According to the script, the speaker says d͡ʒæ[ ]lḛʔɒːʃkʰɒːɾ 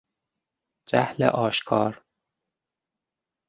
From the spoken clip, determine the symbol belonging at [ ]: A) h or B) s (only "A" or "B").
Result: A